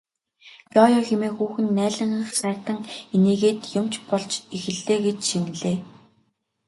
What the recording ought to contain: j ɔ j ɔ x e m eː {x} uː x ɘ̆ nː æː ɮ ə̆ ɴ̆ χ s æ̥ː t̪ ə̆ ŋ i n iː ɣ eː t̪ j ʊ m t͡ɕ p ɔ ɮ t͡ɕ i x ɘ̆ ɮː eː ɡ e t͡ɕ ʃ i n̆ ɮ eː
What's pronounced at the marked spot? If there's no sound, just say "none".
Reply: x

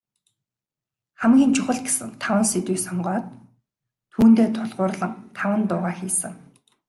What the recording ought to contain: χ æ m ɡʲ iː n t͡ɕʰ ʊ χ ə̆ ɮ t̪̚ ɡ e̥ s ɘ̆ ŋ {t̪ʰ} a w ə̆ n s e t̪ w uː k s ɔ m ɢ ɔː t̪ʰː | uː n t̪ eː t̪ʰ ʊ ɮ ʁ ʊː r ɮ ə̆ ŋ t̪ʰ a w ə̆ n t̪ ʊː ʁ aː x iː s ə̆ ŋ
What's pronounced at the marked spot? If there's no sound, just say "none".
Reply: t̪ʰ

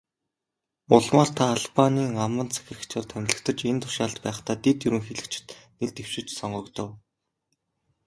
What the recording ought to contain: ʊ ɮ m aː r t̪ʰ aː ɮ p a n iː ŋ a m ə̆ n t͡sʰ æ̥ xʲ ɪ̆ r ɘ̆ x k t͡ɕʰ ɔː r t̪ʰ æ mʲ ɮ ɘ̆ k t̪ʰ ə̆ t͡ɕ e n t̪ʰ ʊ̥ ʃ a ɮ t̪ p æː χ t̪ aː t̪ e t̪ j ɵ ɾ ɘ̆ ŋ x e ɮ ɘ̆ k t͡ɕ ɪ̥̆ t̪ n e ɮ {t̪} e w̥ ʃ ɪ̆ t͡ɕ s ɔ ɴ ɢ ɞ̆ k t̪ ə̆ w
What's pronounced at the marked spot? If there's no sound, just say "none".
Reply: t̪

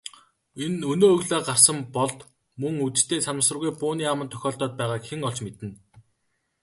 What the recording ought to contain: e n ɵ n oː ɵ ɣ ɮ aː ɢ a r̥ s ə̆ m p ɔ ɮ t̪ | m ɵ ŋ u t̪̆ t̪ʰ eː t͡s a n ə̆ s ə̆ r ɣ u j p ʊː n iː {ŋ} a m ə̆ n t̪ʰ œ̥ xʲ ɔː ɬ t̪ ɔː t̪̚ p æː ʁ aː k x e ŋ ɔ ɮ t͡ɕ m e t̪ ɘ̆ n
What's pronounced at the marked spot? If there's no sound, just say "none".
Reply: none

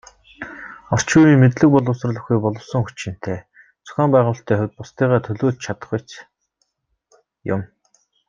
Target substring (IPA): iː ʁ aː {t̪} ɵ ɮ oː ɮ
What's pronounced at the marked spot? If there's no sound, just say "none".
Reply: t̪ʰ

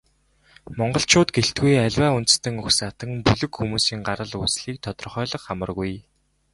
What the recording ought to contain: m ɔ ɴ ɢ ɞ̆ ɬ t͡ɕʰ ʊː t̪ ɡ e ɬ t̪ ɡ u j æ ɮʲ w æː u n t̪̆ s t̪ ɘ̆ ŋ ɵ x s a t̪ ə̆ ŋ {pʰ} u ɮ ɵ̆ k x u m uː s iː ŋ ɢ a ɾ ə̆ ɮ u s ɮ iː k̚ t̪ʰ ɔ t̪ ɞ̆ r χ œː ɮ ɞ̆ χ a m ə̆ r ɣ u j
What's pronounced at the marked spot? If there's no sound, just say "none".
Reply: p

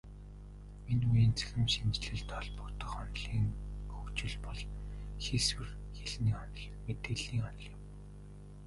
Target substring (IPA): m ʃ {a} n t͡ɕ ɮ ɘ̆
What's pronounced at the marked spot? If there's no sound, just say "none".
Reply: i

